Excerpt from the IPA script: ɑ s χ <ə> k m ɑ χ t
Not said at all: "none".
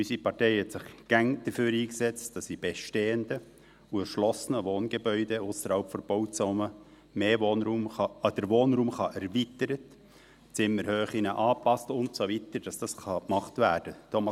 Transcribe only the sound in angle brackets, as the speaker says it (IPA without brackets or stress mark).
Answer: ɑ